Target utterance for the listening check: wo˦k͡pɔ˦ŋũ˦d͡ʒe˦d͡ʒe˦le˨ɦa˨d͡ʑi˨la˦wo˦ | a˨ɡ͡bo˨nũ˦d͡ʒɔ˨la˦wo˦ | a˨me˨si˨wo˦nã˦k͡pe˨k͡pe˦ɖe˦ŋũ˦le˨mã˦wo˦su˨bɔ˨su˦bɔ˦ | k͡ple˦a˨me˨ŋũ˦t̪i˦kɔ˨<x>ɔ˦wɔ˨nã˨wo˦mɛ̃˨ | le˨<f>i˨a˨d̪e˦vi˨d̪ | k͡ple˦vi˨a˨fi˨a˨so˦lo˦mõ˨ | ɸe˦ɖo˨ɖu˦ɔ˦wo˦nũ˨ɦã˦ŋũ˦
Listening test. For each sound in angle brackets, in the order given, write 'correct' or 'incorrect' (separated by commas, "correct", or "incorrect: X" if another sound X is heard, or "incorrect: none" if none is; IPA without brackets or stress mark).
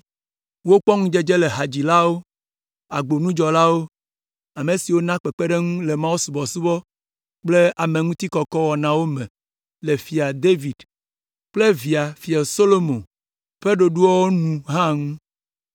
incorrect: k, correct